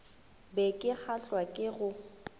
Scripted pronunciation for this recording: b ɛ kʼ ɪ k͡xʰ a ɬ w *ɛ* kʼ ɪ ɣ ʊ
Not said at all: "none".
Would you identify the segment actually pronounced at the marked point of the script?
a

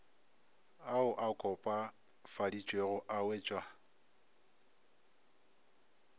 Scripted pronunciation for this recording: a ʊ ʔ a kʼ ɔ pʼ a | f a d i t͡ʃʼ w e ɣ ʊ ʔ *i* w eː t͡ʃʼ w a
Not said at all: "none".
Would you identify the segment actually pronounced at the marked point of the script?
a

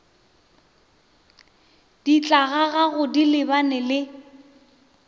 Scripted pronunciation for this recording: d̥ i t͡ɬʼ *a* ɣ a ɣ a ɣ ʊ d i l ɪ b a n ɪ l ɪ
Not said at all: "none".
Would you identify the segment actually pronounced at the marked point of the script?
a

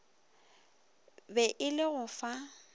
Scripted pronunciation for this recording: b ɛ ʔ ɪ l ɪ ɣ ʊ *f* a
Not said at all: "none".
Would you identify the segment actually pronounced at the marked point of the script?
f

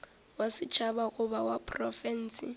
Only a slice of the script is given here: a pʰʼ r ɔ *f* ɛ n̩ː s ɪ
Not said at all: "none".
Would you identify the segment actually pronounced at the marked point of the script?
f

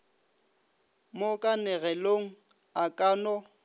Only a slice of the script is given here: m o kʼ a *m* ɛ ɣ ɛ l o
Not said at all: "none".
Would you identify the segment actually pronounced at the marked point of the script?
n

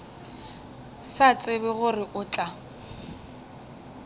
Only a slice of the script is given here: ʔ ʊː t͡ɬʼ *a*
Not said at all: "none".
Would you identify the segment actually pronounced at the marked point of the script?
a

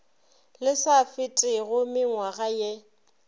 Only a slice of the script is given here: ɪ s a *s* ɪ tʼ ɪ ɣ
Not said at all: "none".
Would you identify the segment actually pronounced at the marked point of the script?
f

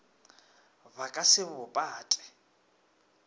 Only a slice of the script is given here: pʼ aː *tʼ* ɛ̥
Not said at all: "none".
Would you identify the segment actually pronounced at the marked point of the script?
tʼ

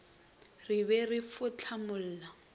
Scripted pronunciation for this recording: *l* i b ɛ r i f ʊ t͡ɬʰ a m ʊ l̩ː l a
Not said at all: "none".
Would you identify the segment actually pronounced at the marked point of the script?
r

